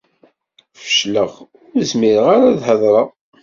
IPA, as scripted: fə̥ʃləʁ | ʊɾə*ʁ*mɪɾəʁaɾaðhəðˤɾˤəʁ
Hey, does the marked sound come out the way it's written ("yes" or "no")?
no